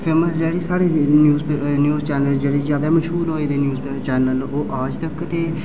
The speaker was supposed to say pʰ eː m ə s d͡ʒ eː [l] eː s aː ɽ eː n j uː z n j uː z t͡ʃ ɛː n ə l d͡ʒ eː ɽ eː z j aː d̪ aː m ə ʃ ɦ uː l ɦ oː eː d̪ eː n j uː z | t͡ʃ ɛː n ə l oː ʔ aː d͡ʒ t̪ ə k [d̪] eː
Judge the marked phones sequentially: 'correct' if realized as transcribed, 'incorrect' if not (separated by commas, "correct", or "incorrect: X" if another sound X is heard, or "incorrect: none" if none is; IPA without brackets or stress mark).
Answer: incorrect: ɽ, incorrect: t̪